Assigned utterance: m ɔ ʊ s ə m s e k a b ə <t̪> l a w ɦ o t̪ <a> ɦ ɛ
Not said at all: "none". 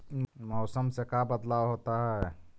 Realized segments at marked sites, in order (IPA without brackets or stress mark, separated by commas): d̪, a